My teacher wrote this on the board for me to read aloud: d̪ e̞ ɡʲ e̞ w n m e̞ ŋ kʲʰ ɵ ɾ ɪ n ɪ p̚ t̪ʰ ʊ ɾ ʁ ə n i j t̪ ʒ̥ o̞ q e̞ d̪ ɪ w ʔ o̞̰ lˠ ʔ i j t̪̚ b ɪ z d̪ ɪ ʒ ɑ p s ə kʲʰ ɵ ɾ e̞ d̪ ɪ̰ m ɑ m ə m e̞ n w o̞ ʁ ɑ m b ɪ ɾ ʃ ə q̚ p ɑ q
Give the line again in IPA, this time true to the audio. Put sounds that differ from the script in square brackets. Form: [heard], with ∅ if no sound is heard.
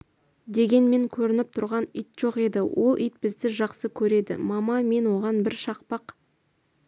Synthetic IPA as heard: d̪ e̞ ɡʲ e̞ [∅] n m e̞ ŋ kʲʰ ɵ ɾ ɪ n ɪ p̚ t̪ʰ ʊ ɾ ʁ [ɑ] n i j t̪ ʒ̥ o̞ q e̞ d̪ ɪ w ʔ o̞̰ lˠ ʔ i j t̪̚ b ɪ z d̪ ɪ ʒ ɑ [q] s ə kʲʰ ɵ ɾ e̞ d̪ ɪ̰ m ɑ m [ɑ] m e̞ n w o̞ ʁ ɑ [n] b ɪ ɾ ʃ [ɑ] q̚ p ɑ q